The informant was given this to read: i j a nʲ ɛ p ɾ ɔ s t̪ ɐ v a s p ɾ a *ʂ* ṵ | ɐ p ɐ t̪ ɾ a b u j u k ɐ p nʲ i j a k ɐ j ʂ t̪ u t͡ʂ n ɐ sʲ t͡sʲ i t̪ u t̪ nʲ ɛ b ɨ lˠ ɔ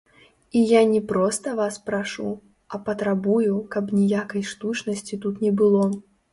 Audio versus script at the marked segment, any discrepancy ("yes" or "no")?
no